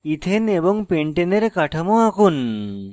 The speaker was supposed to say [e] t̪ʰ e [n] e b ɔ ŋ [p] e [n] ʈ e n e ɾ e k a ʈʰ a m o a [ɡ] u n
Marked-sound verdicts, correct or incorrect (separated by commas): incorrect, correct, correct, incorrect, incorrect